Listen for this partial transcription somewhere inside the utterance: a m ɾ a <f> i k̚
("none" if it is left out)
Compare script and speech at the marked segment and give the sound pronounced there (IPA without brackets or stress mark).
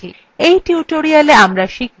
ʃ